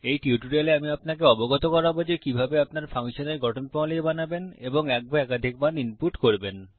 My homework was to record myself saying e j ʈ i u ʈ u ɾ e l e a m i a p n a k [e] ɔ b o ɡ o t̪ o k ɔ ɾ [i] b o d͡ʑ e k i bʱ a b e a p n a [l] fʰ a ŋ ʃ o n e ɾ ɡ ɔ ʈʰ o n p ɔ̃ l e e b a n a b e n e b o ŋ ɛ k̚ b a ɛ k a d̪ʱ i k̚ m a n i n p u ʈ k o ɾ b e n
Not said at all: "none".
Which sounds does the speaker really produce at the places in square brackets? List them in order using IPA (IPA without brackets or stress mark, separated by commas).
e, a, ɾ